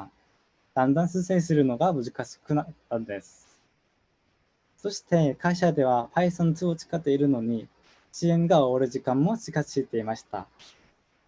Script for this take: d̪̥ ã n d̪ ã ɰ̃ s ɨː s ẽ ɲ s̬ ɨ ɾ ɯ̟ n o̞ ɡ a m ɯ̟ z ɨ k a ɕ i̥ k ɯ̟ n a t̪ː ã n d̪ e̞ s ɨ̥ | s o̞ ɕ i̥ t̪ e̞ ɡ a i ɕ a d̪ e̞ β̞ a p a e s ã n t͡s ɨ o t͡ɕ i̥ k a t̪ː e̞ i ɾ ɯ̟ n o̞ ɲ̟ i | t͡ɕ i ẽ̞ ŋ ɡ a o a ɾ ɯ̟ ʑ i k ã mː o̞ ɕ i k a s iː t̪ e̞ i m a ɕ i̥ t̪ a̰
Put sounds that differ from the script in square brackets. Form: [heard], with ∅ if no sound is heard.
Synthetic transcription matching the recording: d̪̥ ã n d̪ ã ɰ̃ s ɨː s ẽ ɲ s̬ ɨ ɾ ɯ̟ n o̞ ɡ a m ɯ̟ z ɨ k a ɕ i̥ k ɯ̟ n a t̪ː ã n d̪ e̞ s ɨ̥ | s o̞ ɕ i̥ t̪ e̞ [k] a i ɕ a d̪ e̞ β̞ a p a [i] s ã n t͡s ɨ o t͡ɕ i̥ k a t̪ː e̞ i ɾ ɯ̟ n o̞ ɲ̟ i | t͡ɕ i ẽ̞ ŋ ɡ a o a ɾ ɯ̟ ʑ i k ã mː o̞ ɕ i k a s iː t̪ e̞ i m a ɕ i̥ t̪ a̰